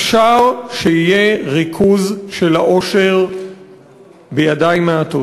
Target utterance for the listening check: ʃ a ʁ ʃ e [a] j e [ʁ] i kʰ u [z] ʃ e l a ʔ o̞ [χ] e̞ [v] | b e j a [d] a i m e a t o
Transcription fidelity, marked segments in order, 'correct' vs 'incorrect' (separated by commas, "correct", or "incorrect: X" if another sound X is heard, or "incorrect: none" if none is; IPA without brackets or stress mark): incorrect: i, correct, correct, incorrect: ʃ, incorrect: ʁ, correct